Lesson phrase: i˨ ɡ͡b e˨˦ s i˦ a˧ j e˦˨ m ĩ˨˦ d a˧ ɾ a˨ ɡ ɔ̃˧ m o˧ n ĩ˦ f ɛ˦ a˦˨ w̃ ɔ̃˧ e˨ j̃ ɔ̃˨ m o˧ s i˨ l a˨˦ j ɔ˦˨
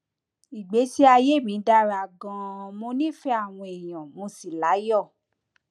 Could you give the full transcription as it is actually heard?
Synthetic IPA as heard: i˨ ɡ͡b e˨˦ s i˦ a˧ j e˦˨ m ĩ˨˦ d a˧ ɾ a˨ ɡ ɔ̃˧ m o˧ n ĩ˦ f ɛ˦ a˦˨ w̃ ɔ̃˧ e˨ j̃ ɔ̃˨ m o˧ s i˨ l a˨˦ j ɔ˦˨